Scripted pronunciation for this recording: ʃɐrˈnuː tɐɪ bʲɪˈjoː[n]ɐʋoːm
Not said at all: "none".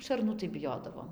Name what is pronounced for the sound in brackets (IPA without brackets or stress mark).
d